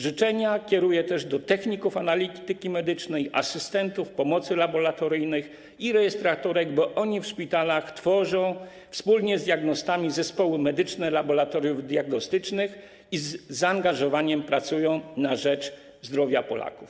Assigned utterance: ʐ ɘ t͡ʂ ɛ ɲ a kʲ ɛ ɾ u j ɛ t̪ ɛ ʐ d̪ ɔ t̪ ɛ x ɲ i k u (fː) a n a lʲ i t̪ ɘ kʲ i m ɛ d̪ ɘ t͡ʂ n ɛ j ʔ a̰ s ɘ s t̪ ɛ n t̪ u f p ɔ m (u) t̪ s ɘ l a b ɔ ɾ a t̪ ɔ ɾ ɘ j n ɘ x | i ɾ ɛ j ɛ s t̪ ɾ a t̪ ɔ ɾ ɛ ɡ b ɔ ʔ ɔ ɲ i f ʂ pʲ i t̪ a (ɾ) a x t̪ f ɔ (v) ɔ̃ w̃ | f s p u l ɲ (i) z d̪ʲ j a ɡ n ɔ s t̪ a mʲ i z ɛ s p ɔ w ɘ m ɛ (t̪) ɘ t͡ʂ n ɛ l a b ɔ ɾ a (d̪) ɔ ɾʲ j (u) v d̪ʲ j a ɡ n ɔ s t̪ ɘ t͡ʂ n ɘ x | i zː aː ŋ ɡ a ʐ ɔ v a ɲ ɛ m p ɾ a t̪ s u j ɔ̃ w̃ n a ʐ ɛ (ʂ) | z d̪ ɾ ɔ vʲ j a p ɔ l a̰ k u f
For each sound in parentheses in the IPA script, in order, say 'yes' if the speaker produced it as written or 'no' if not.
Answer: no, no, no, no, no, no, no, yes, no

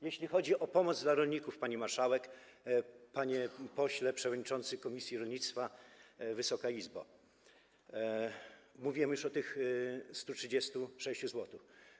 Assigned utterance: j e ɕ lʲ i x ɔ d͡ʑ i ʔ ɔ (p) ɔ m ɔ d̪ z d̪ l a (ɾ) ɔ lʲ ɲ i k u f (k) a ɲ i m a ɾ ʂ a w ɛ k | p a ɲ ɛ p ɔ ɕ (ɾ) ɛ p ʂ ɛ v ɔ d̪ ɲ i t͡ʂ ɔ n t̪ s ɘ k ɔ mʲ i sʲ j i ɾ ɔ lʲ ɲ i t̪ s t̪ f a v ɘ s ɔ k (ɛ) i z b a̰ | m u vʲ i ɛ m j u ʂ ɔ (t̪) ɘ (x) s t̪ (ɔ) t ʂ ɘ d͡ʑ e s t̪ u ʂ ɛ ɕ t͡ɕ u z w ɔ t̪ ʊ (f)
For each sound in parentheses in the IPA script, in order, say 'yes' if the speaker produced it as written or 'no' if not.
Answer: yes, yes, no, no, no, yes, yes, no, yes

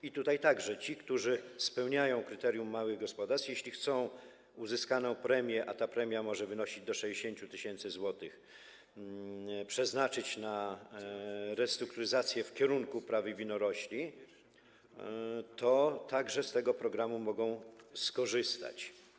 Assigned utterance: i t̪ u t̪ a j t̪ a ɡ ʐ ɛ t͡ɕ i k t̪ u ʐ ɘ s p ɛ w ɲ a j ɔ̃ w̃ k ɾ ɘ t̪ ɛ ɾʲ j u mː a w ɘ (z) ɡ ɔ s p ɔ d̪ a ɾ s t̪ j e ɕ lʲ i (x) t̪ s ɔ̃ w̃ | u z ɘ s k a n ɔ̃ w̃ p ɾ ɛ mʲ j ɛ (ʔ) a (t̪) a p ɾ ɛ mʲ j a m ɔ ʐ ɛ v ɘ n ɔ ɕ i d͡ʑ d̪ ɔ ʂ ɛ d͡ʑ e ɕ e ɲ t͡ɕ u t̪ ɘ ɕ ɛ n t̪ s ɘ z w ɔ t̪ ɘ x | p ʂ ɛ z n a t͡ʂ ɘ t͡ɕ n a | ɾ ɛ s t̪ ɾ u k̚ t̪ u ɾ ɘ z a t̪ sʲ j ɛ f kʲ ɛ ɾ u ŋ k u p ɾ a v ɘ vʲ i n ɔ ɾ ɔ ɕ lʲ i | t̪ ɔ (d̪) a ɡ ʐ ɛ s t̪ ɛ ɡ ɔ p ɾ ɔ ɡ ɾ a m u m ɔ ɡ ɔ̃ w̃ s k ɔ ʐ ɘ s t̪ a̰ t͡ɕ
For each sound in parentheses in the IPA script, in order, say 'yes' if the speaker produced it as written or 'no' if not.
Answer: no, yes, yes, yes, no

